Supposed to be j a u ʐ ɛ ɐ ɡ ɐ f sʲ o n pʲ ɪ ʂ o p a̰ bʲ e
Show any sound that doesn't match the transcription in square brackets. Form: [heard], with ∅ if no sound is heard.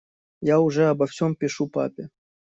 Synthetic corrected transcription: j a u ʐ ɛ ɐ [b] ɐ f sʲ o [m] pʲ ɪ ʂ [u] p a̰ [pʲ] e